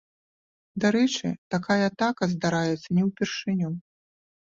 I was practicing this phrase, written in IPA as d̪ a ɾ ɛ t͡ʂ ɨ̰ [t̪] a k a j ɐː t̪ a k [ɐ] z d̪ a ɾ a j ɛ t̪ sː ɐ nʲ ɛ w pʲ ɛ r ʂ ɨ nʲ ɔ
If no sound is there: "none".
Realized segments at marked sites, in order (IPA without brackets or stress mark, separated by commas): t̪, ɐ